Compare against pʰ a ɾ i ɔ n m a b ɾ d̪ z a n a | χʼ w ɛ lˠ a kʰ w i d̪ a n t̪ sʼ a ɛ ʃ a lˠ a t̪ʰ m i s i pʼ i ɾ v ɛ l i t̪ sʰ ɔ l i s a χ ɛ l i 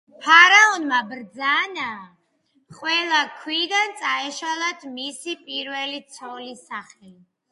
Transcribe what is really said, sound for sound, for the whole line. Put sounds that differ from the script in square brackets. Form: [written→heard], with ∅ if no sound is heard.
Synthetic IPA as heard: pʰ a ɾ [i→a] ɔ n m a b ɾ d̪ z a n a | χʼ w ɛ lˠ a kʰ w i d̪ a n t̪ sʼ a ɛ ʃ a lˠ a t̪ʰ m i s i pʼ i ɾ v ɛ l i t̪ sʰ ɔ l i s a χ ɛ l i